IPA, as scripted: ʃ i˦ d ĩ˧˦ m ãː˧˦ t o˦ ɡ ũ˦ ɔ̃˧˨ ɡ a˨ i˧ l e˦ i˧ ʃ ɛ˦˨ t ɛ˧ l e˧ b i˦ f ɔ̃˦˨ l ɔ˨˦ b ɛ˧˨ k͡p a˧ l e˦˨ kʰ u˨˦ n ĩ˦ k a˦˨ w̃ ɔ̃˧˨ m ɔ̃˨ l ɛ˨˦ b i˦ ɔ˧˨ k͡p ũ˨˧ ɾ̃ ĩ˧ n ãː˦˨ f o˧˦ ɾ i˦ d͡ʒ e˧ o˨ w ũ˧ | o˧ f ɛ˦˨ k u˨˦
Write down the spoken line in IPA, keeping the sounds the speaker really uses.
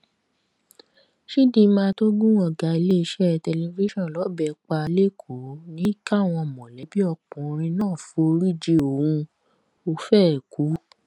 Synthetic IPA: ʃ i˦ d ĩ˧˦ m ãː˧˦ t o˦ ɡ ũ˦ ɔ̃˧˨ ɡ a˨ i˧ l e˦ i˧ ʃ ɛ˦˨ t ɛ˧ l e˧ v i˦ ʃ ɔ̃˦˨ l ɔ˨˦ b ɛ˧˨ k͡p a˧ l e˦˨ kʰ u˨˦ n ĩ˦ k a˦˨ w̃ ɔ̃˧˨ m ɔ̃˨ l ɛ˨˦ b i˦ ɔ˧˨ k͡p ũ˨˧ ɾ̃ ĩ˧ n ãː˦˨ f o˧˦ ɾ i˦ d͡ʒ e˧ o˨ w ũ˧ | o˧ f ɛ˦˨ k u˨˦